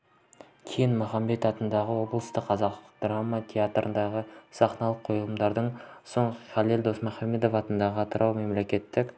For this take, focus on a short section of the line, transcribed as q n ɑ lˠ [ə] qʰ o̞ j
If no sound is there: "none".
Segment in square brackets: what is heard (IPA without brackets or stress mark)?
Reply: ə